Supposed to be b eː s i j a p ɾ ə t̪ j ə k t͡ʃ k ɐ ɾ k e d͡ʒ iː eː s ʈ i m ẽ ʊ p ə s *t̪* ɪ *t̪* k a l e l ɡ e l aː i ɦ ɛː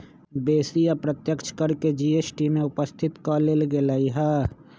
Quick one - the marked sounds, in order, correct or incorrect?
incorrect, correct

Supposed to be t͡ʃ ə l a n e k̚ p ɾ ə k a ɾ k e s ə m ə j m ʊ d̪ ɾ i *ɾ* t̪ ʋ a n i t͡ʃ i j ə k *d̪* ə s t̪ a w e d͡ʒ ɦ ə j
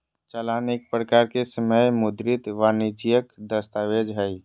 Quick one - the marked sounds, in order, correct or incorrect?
incorrect, correct

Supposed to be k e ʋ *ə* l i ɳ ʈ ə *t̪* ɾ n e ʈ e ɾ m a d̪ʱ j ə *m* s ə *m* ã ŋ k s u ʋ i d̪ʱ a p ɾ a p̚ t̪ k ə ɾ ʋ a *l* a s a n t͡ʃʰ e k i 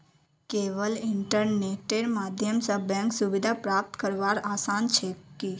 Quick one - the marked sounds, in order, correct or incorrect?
correct, incorrect, correct, incorrect, incorrect

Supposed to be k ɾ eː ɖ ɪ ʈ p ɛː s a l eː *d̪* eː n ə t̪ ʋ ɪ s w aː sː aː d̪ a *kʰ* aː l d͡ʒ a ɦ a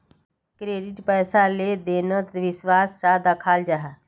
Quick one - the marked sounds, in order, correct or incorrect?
correct, correct

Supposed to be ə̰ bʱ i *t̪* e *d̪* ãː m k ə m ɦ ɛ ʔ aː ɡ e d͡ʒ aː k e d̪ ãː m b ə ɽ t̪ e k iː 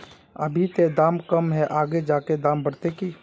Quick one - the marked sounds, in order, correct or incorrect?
correct, correct

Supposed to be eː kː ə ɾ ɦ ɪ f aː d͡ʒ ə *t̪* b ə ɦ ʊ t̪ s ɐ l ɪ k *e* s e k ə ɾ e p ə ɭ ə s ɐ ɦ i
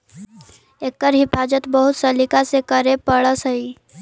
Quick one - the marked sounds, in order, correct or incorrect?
correct, incorrect

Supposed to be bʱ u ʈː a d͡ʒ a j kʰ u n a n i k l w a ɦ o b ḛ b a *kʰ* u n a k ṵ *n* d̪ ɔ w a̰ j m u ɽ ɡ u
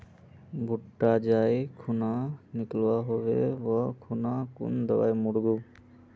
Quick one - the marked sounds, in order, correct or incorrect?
correct, correct

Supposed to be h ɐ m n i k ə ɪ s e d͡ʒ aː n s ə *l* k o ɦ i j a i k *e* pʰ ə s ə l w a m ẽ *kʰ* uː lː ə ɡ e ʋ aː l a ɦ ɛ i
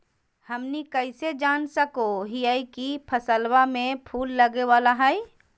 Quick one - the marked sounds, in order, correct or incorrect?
incorrect, incorrect, incorrect

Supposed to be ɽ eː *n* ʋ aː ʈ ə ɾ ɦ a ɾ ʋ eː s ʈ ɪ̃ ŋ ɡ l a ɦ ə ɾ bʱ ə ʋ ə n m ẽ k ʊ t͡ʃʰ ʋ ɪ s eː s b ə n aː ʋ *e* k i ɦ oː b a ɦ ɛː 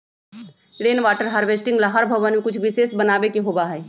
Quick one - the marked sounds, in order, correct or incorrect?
correct, correct

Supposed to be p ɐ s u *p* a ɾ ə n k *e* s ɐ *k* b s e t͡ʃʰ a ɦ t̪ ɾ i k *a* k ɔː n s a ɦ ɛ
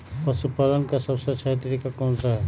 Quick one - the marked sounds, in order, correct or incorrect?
correct, incorrect, incorrect, correct

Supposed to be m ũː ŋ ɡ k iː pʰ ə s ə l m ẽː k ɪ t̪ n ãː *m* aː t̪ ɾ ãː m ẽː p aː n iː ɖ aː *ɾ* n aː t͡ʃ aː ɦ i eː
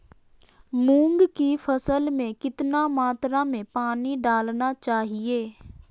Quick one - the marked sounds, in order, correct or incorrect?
correct, incorrect

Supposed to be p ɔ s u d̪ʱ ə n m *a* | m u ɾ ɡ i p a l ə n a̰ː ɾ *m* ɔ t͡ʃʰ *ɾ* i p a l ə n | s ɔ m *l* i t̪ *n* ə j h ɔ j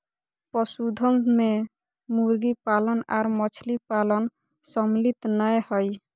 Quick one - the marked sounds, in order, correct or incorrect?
incorrect, correct, incorrect, correct, correct

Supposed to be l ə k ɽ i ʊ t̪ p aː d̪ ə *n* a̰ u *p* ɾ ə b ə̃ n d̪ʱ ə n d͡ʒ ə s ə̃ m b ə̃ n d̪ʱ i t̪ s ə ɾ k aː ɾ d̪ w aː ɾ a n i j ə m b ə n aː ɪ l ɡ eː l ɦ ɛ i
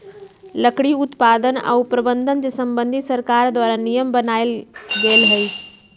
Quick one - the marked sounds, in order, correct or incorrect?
correct, correct

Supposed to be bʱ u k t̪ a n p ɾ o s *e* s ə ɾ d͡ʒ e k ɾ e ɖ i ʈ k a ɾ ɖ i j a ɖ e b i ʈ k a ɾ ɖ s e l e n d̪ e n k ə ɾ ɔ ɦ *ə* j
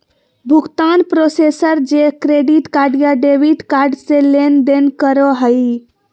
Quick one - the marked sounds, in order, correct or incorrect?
correct, correct

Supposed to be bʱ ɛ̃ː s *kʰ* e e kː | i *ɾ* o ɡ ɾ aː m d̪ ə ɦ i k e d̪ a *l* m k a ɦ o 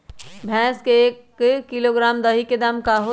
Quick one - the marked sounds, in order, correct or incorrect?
incorrect, incorrect, incorrect

